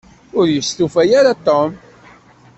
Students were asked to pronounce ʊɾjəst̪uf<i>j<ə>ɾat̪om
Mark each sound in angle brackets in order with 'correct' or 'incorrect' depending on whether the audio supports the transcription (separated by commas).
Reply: incorrect, incorrect